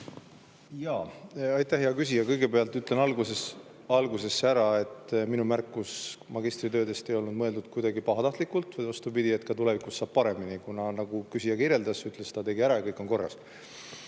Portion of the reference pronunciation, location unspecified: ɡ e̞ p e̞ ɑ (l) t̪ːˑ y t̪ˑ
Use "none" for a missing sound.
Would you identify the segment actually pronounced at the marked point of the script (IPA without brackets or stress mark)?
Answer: l